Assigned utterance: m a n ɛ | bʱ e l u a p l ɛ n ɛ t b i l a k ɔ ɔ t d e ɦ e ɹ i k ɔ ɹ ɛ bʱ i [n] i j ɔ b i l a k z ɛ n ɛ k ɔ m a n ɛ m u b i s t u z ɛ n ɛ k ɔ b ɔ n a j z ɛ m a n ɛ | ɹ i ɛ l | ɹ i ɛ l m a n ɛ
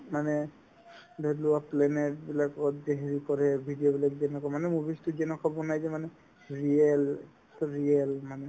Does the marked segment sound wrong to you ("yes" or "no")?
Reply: yes